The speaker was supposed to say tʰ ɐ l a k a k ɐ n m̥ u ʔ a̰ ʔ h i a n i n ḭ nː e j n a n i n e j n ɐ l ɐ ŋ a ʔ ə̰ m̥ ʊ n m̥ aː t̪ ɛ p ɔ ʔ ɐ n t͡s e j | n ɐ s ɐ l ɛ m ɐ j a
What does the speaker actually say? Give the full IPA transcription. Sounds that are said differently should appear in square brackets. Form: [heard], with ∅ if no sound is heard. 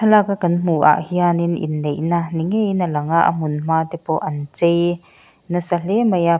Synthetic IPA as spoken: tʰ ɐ l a k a k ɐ n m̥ u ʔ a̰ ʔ h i a n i n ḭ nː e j n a n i [ŋ] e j n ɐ l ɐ ŋ a ʔ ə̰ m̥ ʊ n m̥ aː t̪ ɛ p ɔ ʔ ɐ n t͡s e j | n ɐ s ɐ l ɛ m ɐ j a